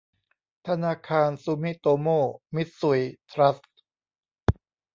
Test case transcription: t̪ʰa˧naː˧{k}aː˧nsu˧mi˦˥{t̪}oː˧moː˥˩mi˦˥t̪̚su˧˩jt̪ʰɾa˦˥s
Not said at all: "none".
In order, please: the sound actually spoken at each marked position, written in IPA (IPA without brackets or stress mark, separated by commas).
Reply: kʰ, t̪